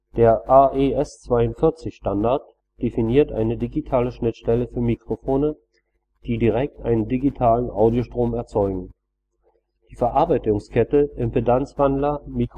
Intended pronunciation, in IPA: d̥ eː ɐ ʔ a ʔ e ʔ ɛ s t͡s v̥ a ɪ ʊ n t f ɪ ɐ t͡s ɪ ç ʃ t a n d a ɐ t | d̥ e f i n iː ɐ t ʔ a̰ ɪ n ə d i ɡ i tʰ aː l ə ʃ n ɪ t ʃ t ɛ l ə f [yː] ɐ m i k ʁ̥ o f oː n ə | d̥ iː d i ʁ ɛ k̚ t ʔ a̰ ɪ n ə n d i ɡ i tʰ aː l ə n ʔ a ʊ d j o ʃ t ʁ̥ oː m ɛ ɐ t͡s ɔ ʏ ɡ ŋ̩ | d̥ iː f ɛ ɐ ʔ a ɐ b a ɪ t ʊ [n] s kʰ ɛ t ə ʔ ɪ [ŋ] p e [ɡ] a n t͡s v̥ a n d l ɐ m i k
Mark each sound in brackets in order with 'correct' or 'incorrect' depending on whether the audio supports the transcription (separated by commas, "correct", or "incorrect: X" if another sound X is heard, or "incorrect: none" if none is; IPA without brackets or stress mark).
correct, incorrect: ŋ, incorrect: m, incorrect: d